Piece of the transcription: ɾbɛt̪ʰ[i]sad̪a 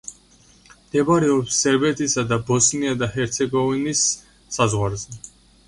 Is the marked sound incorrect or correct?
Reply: correct